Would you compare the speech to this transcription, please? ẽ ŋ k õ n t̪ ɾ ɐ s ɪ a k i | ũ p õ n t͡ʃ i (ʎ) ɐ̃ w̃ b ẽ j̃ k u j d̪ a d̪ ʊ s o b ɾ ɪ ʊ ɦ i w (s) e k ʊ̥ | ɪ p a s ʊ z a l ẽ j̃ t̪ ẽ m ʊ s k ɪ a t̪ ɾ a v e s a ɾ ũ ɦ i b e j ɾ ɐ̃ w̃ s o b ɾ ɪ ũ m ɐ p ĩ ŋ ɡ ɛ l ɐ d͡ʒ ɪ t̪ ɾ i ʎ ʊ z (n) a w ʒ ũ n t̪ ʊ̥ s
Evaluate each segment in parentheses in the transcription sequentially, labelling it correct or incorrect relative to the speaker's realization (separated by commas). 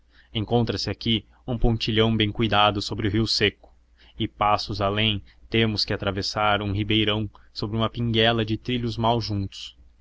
correct, correct, incorrect